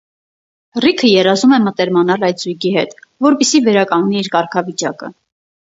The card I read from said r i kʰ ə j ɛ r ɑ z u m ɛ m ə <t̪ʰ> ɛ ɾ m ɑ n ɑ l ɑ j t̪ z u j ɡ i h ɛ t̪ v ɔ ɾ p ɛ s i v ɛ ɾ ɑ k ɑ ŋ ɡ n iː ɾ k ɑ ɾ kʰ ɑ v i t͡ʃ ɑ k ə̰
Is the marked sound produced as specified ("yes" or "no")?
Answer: no